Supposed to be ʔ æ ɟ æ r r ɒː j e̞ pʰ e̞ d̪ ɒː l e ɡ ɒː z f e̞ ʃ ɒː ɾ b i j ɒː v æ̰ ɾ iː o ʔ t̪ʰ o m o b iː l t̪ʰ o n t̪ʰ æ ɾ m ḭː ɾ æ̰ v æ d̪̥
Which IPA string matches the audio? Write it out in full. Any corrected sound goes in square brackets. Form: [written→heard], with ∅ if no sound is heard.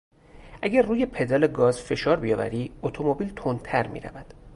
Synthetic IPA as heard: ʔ æ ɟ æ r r [ɒː→uː] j e̞ pʰ e̞ d̪ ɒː l e ɡ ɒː z f e̞ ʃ ɒː ɾ b i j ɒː v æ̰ ɾ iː o [ʔ→∅] t̪ʰ o m o b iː l t̪ʰ o n t̪ʰ æ ɾ m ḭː ɾ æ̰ v æ d̪̥